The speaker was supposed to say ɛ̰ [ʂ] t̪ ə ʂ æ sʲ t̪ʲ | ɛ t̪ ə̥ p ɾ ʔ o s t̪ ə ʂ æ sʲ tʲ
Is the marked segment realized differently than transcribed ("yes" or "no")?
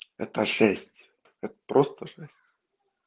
yes